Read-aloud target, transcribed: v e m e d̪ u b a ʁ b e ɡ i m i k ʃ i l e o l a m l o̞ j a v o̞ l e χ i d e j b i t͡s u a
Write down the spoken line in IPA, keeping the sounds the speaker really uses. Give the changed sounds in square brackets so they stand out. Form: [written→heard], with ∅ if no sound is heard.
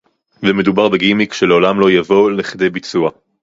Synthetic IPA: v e m e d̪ u b a ʁ b e ɡ i m i k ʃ [i→e] l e o l a m l o̞ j a v o̞ l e χ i d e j b i t͡s u a